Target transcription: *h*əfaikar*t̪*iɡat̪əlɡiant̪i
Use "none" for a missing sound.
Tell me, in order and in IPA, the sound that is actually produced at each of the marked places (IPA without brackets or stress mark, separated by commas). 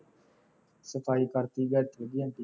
s, t̪